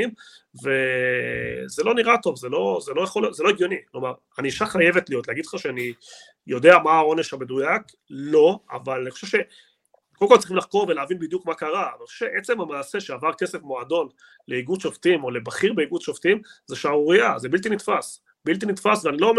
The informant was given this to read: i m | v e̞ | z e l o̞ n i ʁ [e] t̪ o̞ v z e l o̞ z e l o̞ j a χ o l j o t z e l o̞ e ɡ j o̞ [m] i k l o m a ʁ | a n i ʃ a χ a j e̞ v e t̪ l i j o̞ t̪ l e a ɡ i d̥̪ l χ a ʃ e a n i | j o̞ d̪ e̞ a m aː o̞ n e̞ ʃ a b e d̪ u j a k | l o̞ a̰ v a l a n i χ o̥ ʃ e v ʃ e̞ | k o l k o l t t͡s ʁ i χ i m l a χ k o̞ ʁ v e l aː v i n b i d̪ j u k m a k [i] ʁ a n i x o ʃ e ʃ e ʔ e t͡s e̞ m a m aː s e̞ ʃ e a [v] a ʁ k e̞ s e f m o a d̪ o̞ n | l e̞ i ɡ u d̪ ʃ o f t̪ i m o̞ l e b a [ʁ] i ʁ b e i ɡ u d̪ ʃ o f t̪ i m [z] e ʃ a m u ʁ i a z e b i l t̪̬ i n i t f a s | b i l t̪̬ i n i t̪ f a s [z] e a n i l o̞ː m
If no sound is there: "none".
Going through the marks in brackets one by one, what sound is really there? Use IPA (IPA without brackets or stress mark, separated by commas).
a, n, a, v, χ, z, v